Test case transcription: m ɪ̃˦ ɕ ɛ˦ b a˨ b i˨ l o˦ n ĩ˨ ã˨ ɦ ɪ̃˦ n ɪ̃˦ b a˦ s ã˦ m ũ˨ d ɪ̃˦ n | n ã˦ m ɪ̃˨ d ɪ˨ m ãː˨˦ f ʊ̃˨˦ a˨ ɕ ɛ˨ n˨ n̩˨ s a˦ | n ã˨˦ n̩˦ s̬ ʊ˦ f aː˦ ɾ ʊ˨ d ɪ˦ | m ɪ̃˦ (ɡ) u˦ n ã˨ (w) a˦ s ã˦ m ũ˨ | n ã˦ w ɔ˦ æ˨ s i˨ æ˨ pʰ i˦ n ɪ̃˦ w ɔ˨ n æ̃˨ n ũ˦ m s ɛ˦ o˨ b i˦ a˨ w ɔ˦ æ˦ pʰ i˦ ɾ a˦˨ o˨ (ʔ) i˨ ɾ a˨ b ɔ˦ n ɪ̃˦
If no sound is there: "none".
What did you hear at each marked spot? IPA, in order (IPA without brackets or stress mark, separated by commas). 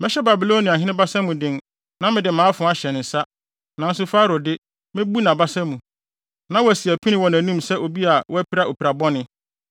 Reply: b, b, p